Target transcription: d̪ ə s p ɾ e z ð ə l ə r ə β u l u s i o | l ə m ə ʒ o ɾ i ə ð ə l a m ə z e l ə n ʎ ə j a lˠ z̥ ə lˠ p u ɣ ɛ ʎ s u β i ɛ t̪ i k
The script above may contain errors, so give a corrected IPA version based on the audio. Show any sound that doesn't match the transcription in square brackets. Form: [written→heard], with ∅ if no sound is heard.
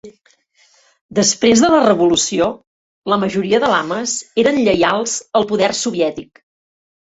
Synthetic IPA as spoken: d̪ ə s p ɾ e z ð ə l ə r ə β u l u s i o | l ə m ə ʒ [o→u] ɾ i ə ð ə l a m ə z e [l→ɾ] ə n ʎ ə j a lˠ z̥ ə lˠ p u [ɣ→ð] ɛ [ʎ→r] s u β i ɛ t̪ i k